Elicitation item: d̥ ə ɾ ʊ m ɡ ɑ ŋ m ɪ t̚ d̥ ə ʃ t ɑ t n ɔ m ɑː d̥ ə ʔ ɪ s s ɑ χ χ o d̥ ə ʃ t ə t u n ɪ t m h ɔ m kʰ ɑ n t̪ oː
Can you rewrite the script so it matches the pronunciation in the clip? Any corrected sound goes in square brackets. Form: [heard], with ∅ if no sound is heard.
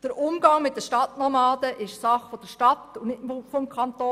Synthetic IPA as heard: d̥ ə ɾ ʊ m ɡ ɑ ŋ m ɪ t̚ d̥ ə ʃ t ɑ t n ɔ m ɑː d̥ ə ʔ ɪ [ʃ] s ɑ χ [f] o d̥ ə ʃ t [ɑ] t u n ɪ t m [f] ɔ m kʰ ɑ n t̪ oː

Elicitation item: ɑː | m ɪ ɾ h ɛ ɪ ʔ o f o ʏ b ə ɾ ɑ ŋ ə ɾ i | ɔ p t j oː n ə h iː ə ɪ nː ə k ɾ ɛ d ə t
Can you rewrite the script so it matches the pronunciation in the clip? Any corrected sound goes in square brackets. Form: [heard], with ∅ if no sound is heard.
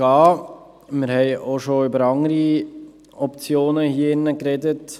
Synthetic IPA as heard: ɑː | m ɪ ɾ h ɛ ɪ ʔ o [ʃ] o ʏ b ə ɾ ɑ ŋ ə ɾ i | ɔ p [t͡s] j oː n ə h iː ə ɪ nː ə k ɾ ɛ d ə t

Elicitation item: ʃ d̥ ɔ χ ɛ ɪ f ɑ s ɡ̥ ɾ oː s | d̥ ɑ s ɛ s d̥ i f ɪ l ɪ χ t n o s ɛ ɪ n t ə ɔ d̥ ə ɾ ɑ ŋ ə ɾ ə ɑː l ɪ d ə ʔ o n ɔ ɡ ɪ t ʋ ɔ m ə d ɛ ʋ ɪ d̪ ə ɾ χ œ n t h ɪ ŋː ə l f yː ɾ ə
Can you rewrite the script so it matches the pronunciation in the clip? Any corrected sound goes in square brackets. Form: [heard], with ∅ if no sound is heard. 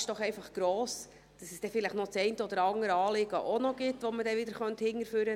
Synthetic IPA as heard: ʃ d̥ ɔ χ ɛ ɪ f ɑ [χ] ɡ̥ ɾ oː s | d̥ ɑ s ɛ s d̥ [ɛ] f ɪ l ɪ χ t n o [t͡s] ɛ ɪ n t ə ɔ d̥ ə ɾ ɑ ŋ ə ɾ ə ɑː l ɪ [ɡ] ə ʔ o n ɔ ɡ ɪ t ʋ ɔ m ə d ɛ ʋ ɪ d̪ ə ɾ χ œ n t h ɪ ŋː ə [ɾ] f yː ɾ ə

